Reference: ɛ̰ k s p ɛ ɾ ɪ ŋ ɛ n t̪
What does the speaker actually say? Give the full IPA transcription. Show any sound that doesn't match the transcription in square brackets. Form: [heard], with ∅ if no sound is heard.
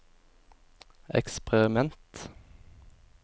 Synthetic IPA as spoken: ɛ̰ k s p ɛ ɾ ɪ [m] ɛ n t̪